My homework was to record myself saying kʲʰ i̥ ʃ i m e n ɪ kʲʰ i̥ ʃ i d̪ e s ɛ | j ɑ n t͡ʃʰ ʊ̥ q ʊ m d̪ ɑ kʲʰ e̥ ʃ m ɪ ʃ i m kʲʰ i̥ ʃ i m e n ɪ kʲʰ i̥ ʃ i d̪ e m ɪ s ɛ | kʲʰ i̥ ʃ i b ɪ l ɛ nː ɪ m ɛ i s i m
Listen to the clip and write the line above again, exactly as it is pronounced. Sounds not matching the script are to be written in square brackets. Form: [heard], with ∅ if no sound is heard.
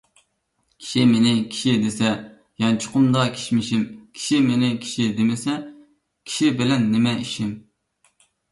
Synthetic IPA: kʲʰ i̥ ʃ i m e n ɪ kʲʰ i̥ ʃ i d̪ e s ɛ | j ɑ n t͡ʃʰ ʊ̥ q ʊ m d̪ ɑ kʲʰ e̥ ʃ m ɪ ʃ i m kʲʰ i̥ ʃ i m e n ɪ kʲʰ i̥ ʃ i d̪ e m ɪ s ɛ | kʲʰ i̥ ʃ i b ɪ l ɛ nː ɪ m ɛ i [ʃ] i m